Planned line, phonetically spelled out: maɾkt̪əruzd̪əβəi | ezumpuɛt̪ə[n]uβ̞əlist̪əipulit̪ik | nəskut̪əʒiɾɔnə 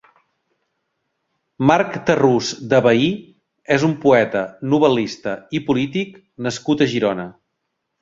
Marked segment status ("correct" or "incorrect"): correct